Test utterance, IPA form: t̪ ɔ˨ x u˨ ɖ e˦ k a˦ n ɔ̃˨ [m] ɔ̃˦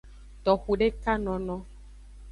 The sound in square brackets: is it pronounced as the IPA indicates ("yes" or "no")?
no